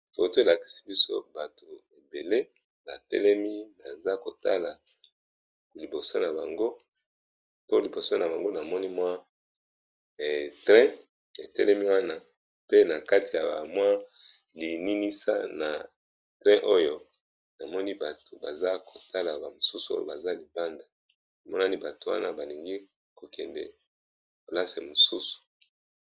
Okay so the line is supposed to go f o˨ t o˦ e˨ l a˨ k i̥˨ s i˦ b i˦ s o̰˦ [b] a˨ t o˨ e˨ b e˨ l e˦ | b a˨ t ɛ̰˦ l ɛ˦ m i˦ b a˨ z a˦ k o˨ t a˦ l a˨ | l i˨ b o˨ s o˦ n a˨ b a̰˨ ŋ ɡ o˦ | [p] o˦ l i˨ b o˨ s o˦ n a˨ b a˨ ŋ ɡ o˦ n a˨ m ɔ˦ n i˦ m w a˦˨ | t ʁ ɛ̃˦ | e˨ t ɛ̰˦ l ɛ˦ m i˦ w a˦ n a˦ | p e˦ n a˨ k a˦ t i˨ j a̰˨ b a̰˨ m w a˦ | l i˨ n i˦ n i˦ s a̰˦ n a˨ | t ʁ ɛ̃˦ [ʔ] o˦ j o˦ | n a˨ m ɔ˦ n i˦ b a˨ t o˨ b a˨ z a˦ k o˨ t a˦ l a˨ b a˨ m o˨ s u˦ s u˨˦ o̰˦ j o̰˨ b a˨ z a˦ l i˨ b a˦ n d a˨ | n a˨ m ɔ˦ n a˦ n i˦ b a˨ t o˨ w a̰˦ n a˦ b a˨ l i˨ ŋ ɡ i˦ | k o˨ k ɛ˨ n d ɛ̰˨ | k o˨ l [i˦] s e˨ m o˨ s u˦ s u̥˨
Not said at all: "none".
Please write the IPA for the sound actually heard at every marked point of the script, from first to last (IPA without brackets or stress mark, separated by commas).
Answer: b, p, ʔ, a˦